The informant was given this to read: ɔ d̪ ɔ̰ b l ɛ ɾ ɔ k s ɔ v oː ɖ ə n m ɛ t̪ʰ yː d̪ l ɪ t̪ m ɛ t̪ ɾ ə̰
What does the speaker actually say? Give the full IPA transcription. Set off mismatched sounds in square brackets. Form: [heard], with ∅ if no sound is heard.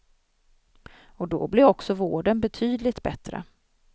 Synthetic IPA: ɔ d̪ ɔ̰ b l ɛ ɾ ɔ k s ɔ v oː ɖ ə n [b] ɛ t̪ʰ yː d̪ l ɪ t̪ [b] ɛ t̪ ɾ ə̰